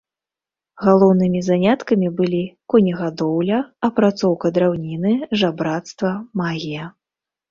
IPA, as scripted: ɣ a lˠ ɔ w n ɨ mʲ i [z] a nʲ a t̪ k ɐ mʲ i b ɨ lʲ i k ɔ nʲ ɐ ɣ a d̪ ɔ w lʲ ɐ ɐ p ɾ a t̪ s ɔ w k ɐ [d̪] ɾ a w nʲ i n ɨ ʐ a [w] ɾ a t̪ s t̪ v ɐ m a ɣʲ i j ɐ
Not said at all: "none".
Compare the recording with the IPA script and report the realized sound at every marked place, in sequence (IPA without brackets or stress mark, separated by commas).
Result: z, d̪, b